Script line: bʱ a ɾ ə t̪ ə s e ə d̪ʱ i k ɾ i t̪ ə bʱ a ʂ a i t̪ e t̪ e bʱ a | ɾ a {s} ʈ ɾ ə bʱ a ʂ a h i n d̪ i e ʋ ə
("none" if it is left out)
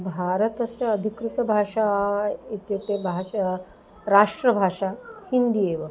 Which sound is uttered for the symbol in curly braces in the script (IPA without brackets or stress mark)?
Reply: ʂ